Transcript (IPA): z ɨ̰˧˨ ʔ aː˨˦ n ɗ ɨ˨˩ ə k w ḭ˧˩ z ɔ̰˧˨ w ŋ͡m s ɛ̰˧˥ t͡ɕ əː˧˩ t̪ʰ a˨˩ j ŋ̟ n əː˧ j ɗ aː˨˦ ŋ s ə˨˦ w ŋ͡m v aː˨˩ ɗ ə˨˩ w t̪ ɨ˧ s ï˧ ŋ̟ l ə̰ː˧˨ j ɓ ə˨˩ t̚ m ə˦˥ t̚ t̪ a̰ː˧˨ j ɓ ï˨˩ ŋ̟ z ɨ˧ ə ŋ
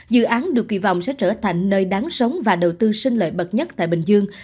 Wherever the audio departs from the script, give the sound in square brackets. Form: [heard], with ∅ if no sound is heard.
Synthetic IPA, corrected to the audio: z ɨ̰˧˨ ʔ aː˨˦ n ɗ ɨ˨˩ ə k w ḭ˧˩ [v] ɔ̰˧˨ w ŋ͡m s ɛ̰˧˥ t͡ɕ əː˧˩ t̪ʰ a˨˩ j ŋ̟ n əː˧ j ɗ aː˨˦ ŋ s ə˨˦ w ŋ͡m v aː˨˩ ɗ ə˨˩ w t̪ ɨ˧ s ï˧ ŋ̟ l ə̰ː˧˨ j ɓ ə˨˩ t̚ [ɲ] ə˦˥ t̚ t̪ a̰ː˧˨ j ɓ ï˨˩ ŋ̟ z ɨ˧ ə ŋ

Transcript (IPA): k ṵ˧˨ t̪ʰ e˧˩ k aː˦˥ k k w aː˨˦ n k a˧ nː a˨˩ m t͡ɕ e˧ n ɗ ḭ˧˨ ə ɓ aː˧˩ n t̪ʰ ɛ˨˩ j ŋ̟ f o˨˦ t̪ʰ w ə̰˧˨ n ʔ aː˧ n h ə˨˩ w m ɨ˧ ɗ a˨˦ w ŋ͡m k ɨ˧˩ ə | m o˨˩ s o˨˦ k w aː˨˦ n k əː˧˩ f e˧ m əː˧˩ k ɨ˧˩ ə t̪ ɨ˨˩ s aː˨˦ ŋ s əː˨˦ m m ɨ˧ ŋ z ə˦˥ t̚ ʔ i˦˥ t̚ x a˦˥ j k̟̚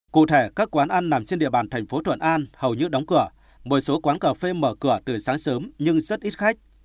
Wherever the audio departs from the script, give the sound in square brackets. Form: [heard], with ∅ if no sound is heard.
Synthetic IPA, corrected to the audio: k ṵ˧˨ t̪ʰ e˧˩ k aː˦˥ k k w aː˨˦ n [ʔ] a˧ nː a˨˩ m t͡ɕ e˧ n ɗ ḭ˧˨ ə ɓ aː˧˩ n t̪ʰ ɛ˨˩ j ŋ̟ f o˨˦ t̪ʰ w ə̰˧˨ n ʔ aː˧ n h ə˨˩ w [ɲ] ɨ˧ ɗ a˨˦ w ŋ͡m k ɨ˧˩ ə | m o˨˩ s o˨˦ k w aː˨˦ n k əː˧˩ f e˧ m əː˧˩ k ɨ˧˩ ə t̪ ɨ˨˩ s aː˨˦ ŋ s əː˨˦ m [ɲ] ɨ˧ ŋ z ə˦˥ t̚ ʔ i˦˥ t̚ x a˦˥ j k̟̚

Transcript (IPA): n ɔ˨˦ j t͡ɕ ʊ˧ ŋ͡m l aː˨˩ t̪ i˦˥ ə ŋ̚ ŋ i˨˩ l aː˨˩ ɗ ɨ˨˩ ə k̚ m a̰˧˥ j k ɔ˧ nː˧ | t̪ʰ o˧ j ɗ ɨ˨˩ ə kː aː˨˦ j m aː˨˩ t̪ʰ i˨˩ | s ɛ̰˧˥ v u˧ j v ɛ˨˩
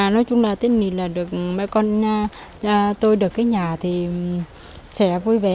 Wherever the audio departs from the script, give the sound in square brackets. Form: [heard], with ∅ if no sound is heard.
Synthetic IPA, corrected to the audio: n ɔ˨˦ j t͡ɕ ʊ˧ ŋ͡m l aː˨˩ t̪ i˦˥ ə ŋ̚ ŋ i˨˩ l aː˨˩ ɗ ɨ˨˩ ə k̚ m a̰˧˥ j k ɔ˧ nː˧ | [t̪] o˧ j ɗ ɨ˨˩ ə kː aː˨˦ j [ɲ] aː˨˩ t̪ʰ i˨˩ | s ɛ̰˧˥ v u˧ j v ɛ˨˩

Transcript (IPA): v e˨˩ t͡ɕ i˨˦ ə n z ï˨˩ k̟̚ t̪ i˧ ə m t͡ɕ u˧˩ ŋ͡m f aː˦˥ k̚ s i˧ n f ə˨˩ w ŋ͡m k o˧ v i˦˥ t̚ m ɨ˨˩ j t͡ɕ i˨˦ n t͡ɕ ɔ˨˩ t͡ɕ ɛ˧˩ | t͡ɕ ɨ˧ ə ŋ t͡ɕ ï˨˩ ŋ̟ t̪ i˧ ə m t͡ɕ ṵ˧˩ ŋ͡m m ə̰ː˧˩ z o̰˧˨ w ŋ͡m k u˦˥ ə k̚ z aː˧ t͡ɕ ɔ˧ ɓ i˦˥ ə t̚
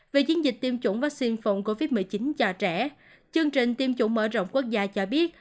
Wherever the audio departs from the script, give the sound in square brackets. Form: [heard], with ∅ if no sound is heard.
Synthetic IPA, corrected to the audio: v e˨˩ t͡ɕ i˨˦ ə n z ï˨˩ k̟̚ t̪ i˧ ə m t͡ɕ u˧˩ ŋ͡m [v] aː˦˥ k̚ s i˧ n f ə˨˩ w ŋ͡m k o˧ v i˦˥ t̚ m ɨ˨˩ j t͡ɕ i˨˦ n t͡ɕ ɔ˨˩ t͡ɕ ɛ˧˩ | t͡ɕ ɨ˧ ə ŋ t͡ɕ ï˨˩ ŋ̟ t̪ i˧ ə m t͡ɕ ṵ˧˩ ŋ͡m m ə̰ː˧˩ z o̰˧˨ w ŋ͡m k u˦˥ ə k̚ z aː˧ t͡ɕ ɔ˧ ɓ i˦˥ ə t̚

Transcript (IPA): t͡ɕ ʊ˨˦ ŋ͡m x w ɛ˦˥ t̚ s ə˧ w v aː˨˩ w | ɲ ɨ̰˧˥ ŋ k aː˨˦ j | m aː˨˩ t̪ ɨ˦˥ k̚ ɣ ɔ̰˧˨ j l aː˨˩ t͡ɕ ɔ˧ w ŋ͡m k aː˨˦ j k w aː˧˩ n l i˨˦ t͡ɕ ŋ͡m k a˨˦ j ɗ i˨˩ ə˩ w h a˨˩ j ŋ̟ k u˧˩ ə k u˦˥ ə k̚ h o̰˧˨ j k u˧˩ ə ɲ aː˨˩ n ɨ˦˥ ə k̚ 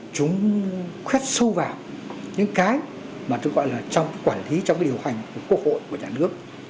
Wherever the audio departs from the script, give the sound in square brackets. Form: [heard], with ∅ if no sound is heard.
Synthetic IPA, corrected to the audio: t͡ɕ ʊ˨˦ ŋ͡m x w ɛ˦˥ t̚ s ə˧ w v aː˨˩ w | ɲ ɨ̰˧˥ ŋ k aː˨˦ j | m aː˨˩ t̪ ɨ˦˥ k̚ ɣ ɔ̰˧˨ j l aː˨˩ t͡ɕ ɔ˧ w ŋ͡m k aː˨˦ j k w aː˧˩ n l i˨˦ t͡ɕ ŋ͡m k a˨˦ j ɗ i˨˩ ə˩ w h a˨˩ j ŋ̟ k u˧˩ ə k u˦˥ ə k̚ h o̰˧˨ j k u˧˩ ə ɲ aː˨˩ n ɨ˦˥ ə k̚

